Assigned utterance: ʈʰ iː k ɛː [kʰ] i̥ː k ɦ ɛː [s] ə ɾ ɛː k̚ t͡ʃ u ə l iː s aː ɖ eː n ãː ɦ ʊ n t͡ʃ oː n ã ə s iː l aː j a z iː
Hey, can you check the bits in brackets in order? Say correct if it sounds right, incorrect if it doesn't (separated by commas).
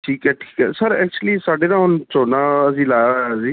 incorrect, correct